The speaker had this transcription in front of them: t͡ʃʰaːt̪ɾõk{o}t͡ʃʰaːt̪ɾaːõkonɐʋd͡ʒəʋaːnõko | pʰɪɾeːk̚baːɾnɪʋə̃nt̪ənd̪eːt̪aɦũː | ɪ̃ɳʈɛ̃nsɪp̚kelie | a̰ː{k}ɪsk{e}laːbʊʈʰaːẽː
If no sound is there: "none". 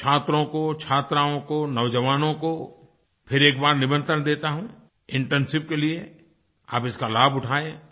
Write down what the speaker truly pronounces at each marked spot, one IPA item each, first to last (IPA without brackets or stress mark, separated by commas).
o, p, a